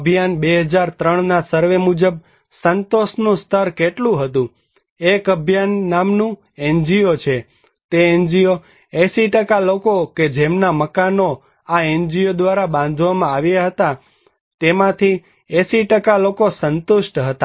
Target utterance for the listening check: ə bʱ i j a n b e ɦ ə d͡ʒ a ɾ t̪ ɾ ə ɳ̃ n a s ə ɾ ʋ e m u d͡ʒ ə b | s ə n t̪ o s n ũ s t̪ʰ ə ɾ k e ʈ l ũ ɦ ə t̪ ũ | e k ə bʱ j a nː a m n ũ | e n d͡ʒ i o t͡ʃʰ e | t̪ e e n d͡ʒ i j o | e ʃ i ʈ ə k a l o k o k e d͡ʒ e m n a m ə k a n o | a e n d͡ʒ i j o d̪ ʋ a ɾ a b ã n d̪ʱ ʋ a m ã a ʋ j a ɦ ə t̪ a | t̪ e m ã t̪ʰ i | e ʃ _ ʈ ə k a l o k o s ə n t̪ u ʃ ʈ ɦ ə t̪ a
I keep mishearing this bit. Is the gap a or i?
i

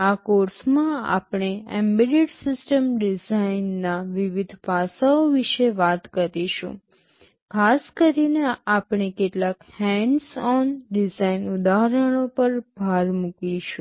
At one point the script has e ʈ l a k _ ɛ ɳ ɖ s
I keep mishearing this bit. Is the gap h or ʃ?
h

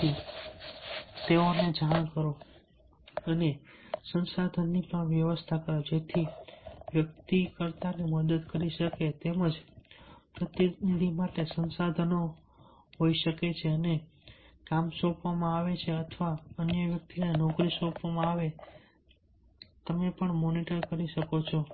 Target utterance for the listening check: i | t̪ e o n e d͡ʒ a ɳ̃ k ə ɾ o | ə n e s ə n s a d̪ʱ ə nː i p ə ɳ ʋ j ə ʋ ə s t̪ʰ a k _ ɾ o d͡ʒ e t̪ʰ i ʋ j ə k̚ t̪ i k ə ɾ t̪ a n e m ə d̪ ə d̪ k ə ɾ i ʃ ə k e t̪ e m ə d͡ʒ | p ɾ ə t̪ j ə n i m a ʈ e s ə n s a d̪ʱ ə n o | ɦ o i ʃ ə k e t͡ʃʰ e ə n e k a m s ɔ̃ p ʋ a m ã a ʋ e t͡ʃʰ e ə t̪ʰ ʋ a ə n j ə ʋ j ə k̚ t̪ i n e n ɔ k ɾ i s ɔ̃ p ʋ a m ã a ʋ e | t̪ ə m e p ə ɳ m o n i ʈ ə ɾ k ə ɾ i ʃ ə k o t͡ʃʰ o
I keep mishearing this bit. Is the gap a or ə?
ə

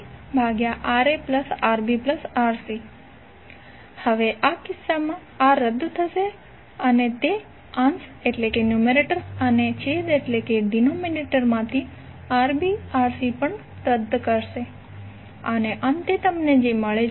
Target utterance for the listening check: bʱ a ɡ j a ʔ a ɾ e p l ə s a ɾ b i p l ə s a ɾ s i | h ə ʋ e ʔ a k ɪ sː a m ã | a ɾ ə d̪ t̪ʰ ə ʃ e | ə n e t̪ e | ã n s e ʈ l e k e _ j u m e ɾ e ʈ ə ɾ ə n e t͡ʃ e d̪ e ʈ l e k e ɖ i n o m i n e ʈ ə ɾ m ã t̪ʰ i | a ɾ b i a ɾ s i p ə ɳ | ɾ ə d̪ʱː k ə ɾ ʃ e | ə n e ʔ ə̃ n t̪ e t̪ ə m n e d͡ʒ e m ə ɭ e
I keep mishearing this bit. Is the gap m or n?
n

